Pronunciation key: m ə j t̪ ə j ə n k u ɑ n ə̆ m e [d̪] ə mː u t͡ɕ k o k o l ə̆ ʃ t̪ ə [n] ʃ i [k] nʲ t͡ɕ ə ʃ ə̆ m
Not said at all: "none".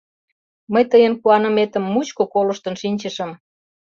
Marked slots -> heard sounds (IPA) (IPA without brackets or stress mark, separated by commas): t̪, n, none